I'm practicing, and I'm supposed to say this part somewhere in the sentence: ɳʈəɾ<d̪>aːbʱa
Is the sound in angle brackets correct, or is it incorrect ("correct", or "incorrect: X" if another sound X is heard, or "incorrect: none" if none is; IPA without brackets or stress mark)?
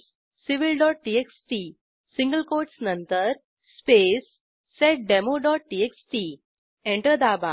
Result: correct